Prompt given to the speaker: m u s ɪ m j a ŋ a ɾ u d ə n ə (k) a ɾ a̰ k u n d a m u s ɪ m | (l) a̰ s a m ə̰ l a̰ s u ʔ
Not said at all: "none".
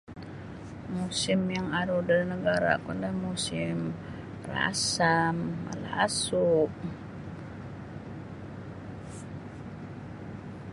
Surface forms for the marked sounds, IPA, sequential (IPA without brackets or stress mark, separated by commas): ɡ, r